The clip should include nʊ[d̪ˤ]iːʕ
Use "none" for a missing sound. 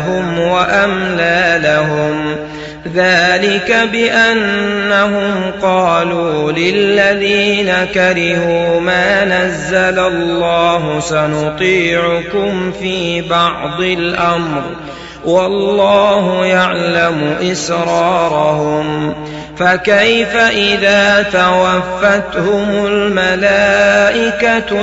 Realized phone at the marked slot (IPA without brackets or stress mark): t̪ˤ